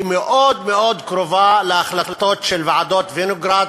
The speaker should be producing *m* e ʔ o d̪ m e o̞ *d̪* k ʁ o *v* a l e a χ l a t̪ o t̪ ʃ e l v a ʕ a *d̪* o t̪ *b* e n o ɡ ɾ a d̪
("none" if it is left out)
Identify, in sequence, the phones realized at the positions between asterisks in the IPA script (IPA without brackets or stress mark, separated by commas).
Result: m, d̪, v, d̪, v